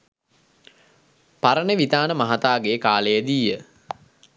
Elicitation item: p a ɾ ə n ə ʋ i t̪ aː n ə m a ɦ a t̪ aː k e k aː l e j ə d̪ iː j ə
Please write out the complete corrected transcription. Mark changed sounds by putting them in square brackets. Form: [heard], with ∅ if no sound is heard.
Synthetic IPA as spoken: p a ɾ ə n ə ʋ i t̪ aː n ə m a ɦ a t̪ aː [ɡ] e k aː l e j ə d̪ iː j ə